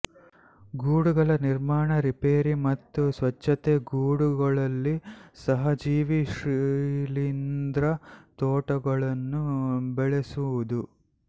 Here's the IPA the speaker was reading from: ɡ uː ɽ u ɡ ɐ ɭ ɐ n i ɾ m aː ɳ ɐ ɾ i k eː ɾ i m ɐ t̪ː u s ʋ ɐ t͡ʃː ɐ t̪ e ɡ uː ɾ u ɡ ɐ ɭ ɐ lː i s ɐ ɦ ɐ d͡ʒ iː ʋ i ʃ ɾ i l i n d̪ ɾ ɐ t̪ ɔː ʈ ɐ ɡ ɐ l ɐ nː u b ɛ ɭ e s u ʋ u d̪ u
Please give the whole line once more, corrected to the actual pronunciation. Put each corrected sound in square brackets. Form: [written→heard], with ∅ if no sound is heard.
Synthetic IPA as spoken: ɡ uː ɽ u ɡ ɐ ɭ ɐ n i ɾ m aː ɳ ɐ ɾ i [k→p] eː ɾ i m ɐ t̪ː u s ʋ ɐ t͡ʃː ɐ t̪ e ɡ uː [ɾ→ɽ] u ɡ ɐ ɭ ɐ lː i s ɐ ɦ ɐ d͡ʒ iː ʋ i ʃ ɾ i l i n d̪ ɾ ɐ t̪ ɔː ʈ ɐ ɡ ɐ [l→ɭ] ɐ nː u b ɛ ɭ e s u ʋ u d̪ u